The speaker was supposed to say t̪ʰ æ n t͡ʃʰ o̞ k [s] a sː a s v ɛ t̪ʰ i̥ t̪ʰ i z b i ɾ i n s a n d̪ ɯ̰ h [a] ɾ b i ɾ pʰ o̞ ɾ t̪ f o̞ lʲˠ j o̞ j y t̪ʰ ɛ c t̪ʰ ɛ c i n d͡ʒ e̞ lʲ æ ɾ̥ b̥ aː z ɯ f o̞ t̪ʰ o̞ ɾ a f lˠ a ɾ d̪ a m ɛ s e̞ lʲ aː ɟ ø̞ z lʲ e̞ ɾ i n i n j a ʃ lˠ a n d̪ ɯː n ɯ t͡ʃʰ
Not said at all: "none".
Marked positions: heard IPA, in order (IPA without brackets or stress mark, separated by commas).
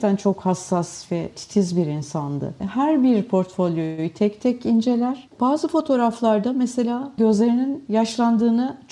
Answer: h, æ